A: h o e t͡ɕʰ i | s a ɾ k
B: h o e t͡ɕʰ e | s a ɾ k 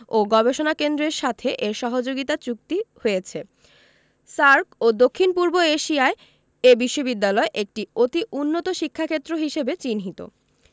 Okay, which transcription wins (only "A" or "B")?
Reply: B